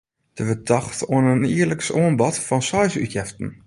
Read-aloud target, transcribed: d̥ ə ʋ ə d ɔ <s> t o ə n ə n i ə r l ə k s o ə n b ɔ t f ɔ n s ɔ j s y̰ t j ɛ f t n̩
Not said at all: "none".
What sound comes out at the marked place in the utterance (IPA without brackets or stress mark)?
x